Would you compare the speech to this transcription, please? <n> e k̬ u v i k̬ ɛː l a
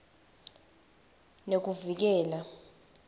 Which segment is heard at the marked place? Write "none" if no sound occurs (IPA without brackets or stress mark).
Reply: n